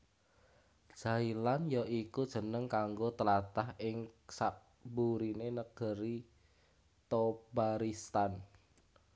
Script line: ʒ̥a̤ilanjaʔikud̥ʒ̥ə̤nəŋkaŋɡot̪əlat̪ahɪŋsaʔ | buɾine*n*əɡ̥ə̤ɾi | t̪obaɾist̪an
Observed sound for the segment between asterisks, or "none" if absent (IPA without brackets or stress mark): n